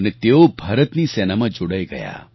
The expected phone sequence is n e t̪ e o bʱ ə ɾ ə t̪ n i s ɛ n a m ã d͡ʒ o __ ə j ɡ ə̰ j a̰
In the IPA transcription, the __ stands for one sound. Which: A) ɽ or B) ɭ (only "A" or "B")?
A